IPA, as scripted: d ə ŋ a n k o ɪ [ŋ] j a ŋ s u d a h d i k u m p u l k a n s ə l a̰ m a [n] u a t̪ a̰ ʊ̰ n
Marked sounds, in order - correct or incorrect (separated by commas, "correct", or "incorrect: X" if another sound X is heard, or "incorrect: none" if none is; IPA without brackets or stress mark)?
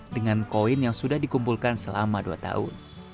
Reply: incorrect: n, incorrect: d